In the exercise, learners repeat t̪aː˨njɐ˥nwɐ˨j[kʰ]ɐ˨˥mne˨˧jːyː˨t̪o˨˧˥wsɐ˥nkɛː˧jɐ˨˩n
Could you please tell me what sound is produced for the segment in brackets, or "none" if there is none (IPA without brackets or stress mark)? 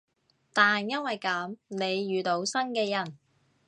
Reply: k